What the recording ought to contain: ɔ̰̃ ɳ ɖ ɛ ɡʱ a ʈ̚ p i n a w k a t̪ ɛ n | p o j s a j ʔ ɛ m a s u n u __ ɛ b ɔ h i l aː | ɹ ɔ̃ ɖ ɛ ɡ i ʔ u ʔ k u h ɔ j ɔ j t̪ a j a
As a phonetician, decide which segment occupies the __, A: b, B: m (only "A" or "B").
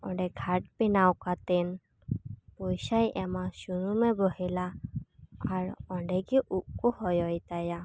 B